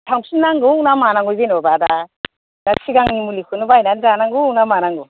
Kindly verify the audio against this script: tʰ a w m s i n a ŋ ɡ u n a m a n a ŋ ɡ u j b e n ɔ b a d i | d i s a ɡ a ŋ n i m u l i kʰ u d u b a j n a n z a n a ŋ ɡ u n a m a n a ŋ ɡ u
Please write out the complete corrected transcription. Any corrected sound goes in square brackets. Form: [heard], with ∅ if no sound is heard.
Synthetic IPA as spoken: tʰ a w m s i n a ŋ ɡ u n a m a n a ŋ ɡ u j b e n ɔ b a d [a] | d [a] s [i] ɡ a ŋ n i m u l i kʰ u [n] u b a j n a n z a n a ŋ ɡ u n a m a n a ŋ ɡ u